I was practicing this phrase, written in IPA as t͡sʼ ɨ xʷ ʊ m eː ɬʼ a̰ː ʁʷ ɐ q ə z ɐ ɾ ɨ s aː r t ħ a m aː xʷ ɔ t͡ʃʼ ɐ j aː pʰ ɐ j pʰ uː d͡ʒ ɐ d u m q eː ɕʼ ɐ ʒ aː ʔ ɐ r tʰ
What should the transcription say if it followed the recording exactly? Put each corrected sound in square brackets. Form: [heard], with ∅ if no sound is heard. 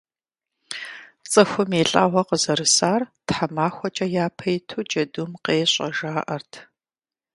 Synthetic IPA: t͡sʼ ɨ xʷ ʊ m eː ɬʼ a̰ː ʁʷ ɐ q ə z ɐ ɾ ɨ s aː r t ħ a m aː xʷ ɔ t͡ʃʼ ɐ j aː pʰ ɐ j [tʰ] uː d͡ʒ ɐ d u m q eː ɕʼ ɐ ʒ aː ʔ ɐ r tʰ